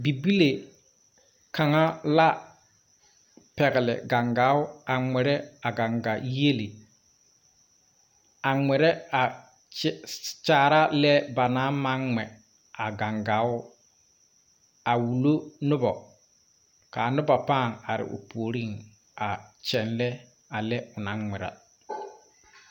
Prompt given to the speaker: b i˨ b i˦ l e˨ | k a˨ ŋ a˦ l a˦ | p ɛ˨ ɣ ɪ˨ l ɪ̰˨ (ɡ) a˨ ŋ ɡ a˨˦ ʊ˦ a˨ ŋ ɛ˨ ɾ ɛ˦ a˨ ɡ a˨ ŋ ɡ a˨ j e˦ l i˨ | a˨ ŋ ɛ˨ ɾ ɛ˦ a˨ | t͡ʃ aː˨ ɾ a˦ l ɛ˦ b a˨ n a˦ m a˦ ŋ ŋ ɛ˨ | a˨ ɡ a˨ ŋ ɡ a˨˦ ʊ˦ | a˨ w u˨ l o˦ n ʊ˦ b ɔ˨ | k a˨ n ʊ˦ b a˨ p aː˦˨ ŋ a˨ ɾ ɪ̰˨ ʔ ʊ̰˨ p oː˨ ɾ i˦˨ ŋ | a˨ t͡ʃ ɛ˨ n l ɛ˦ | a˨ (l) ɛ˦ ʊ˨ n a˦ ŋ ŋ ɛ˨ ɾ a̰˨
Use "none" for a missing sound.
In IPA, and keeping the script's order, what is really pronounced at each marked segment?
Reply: ɡ, l

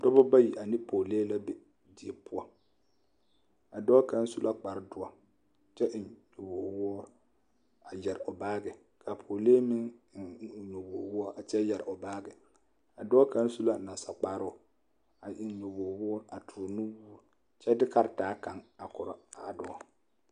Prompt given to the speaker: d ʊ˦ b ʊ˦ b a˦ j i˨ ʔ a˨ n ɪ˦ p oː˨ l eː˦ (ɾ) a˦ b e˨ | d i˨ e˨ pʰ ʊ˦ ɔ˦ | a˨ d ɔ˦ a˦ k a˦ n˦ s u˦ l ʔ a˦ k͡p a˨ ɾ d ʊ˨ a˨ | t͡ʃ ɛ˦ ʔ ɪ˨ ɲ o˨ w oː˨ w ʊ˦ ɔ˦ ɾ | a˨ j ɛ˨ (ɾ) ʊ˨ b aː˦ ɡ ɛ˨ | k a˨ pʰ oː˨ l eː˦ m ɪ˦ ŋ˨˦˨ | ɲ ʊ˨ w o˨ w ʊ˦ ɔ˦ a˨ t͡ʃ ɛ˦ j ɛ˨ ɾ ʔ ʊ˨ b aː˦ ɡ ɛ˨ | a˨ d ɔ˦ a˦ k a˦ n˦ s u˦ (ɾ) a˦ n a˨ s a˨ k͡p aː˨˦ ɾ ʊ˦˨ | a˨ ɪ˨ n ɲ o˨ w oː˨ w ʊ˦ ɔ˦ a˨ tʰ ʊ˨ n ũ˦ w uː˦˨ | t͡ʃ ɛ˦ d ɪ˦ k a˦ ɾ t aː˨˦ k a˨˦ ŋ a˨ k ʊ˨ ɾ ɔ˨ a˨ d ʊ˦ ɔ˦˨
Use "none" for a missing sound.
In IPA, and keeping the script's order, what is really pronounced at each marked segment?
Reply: l, ɾ, l

